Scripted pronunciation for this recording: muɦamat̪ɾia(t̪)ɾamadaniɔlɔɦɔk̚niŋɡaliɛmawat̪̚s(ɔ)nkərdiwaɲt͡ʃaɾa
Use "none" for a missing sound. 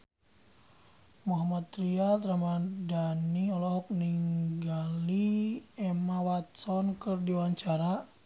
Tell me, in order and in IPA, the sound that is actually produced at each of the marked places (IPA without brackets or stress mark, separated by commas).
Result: t̪, ɔ